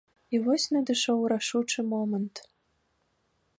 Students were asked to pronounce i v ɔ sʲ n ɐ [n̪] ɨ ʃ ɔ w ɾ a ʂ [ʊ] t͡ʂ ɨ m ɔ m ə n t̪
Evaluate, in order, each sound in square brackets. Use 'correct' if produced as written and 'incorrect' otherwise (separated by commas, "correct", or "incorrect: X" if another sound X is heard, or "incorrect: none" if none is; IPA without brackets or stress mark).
incorrect: d̪, incorrect: u